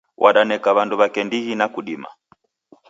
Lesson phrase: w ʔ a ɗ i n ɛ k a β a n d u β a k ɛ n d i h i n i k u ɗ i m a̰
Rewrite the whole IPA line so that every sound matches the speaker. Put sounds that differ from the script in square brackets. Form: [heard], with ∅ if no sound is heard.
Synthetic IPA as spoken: w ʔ a ɗ [a] n ɛ k a β a n d u β a k ɛ n d i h i n [a] k u ɗ i m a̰